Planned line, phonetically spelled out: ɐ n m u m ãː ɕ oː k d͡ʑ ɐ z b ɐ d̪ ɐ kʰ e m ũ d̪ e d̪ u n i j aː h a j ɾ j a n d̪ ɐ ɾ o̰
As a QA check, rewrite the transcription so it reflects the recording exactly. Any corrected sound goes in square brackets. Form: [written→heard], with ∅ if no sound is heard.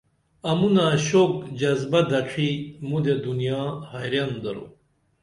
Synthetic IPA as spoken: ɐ [n→∅] m u [m→n] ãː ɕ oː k d͡ʑ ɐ z b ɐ d̪ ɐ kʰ [e→i] m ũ d̪ e d̪ u n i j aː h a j ɾ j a n d̪ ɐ ɾ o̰